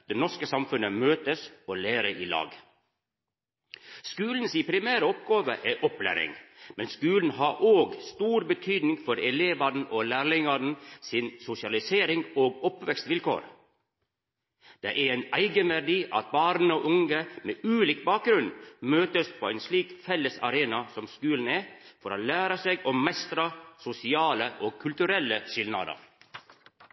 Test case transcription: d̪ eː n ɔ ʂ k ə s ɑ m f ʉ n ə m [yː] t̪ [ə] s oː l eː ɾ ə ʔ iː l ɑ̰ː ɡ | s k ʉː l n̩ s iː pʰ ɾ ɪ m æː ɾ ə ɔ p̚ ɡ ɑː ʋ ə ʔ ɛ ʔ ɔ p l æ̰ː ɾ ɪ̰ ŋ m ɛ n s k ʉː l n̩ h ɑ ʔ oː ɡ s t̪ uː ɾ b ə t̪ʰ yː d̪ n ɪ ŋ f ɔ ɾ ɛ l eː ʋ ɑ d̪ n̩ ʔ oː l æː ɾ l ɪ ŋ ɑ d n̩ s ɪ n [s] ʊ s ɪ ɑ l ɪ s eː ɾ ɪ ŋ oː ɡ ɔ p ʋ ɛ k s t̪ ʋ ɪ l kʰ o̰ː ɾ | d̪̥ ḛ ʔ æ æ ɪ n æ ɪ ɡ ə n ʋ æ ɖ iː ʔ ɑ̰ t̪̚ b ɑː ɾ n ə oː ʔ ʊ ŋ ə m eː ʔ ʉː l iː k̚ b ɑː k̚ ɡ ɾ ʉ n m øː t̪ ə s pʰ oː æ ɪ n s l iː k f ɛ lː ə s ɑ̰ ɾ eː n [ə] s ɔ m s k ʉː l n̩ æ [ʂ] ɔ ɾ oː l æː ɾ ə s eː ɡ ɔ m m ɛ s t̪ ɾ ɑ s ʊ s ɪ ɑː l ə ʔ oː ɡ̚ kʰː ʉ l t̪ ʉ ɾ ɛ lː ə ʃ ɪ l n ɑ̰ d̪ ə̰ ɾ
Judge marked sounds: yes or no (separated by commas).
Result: no, yes, yes, no, no